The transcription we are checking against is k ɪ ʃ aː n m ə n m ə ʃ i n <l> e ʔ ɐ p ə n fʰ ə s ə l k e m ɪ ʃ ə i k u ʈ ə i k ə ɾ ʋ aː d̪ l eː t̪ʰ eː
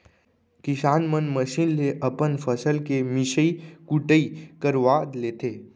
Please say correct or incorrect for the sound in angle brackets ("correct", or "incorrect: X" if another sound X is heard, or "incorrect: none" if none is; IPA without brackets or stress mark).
correct